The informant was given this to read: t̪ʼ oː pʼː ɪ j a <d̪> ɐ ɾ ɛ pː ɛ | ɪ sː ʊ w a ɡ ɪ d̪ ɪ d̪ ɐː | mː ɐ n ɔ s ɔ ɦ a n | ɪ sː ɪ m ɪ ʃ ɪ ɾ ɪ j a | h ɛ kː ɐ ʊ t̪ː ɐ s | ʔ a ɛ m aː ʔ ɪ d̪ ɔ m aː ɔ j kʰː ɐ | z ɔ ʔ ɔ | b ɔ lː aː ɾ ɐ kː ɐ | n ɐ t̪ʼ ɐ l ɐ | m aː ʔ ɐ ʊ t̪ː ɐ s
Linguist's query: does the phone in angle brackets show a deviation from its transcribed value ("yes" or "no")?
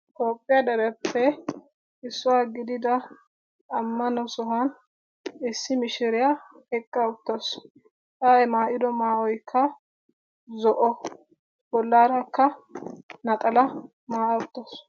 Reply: no